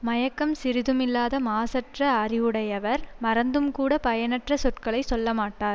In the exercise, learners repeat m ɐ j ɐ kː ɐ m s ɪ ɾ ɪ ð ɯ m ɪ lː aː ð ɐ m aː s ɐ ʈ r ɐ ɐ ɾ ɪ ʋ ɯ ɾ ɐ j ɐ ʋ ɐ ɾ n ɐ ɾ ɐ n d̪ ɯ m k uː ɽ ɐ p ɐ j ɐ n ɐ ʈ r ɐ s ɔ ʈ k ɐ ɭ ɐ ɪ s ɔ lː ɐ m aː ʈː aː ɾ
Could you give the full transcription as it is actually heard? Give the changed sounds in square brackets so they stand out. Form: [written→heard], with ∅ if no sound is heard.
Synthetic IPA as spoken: m ɐ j ɐ kː ɐ m s ɪ ɾ ɪ ð ɯ m ɪ lː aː ð ɐ m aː s ɐ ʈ r ɐ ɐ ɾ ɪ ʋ ɯ [ɾ→ɽ] ɐ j ɐ ʋ ɐ ɾ [n→m] ɐ ɾ ɐ n d̪ ɯ m k uː ɽ ɐ p ɐ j ɐ n ɐ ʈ r ɐ s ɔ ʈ k ɐ ɭ ɐ ɪ s ɔ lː ɐ m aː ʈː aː ɾ